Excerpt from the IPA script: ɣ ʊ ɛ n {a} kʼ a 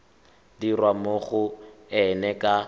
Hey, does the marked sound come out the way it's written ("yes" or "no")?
no